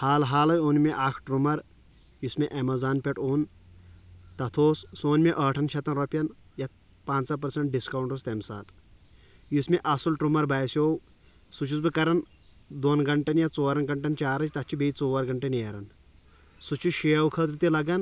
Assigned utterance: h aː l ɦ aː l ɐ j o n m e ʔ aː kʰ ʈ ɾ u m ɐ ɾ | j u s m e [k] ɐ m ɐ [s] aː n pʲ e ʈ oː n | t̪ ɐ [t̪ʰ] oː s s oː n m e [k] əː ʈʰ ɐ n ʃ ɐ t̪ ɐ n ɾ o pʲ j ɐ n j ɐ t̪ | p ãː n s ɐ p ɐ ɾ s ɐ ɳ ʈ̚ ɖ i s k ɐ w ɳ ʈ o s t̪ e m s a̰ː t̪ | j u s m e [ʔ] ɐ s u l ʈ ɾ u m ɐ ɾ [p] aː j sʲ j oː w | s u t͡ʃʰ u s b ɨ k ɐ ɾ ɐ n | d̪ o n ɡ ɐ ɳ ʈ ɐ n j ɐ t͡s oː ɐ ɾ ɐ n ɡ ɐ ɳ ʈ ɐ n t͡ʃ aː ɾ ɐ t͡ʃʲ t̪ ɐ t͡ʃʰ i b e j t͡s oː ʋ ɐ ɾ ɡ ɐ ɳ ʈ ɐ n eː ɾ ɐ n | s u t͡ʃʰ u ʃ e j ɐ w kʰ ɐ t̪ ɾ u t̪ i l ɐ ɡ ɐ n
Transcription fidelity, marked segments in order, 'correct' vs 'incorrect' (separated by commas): incorrect, incorrect, correct, incorrect, correct, incorrect